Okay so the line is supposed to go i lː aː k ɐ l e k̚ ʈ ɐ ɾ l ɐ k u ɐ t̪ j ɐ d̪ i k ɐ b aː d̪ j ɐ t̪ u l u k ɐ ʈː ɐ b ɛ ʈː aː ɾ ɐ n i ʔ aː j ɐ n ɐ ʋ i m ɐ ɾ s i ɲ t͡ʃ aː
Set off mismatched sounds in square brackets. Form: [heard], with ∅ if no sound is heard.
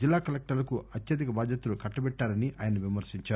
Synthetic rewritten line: i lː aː k ɐ l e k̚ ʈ ɐ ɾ l ɐ k u ɐ t̪ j ɐ d̪ i k ɐ b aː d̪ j ɐ t̪ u l u k ɐ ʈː ɐ b ɛ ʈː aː ɾ ɐ n i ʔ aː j ɐ n ɐ ʋ i m ɐ ɾ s i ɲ t͡ʃ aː